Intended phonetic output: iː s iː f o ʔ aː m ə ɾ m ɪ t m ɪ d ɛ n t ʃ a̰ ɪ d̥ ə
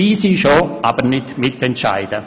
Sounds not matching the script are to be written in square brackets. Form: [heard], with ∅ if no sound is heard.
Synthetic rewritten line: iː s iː [ʃ] o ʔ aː [b] ə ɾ [n] ɪ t m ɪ [t] ɛ n t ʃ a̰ ɪ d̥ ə